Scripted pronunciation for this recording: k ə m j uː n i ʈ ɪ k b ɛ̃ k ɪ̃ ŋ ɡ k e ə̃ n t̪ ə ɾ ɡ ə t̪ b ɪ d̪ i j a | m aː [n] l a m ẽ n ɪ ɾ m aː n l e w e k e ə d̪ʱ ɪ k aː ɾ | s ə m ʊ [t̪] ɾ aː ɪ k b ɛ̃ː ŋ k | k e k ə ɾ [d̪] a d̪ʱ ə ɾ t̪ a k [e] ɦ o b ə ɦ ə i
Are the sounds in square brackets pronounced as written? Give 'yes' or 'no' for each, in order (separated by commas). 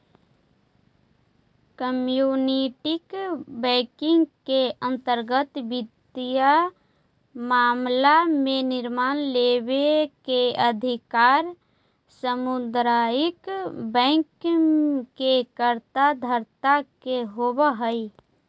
no, no, no, yes